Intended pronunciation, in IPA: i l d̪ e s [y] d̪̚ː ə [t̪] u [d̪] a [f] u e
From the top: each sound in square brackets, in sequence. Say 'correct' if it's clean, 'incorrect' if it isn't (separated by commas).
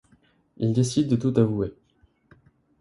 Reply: incorrect, correct, incorrect, incorrect